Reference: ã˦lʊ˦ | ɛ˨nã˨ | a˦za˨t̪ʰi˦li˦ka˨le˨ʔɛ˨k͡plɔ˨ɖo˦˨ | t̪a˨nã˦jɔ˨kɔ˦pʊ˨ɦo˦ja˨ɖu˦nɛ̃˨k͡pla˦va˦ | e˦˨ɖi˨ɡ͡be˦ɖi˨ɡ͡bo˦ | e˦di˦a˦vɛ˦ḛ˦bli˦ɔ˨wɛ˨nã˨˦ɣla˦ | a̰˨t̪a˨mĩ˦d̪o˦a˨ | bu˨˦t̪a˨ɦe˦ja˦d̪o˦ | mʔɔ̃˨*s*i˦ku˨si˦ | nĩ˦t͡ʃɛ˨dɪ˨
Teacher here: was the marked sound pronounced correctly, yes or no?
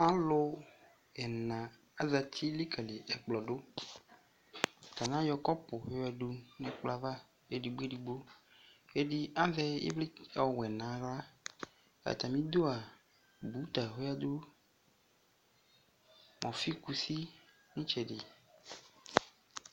no